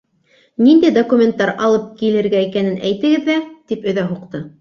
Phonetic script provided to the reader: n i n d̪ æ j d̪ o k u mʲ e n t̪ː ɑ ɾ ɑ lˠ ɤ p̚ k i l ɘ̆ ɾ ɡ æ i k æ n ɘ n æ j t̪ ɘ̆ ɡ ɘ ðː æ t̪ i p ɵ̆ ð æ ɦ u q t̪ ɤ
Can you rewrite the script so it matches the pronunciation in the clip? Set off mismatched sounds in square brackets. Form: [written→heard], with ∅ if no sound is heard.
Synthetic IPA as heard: n i n d̪ æ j d̪ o k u mʲ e n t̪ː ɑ ɾ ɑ lˠ ɤ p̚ k i l ɘ̆ ɾ ɡ æ i k æ n ɘ n æ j t̪ ɘ̆ ɡ ɘ ðː æ t̪ i p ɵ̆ ð æ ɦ u q t̪ ɤ